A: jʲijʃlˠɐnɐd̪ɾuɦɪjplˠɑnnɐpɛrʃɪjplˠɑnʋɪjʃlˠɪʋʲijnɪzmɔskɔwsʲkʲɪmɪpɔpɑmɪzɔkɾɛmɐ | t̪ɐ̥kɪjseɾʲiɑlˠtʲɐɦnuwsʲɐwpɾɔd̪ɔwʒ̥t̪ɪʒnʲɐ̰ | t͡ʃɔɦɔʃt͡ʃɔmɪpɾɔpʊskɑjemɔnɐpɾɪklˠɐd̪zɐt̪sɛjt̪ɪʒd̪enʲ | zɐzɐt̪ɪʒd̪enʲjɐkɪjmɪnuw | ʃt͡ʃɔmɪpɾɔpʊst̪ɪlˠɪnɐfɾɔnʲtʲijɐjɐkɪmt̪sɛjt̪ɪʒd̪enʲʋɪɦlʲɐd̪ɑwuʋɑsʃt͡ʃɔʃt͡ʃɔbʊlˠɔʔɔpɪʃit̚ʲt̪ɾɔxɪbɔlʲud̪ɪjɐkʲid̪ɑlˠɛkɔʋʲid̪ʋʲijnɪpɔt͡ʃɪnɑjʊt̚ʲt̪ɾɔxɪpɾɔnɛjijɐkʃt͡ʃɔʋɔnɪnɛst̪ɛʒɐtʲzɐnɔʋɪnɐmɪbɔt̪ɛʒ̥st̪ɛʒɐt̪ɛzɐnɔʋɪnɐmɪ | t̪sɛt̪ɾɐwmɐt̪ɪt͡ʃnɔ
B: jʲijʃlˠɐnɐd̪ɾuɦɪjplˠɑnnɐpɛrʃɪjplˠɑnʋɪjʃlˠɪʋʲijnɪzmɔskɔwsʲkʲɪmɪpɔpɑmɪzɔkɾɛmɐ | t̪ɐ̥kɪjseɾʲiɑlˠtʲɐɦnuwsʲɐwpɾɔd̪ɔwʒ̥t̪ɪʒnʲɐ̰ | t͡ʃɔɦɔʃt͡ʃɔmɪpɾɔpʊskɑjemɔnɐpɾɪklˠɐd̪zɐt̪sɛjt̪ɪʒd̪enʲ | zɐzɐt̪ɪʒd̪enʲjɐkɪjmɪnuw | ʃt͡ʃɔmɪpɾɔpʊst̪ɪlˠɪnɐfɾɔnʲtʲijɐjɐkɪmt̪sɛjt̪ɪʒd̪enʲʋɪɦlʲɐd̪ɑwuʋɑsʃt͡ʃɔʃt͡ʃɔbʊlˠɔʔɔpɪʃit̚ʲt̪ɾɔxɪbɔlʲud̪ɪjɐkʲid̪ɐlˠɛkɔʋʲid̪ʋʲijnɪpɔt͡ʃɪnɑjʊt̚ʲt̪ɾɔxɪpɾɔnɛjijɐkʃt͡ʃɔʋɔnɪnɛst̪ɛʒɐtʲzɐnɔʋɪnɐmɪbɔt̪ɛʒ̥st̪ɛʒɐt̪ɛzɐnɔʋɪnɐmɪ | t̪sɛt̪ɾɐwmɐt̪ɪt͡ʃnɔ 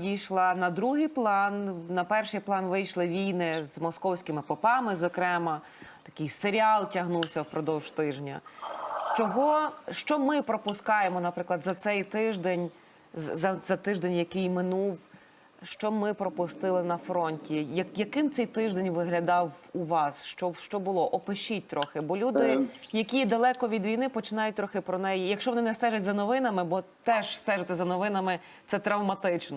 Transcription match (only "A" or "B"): B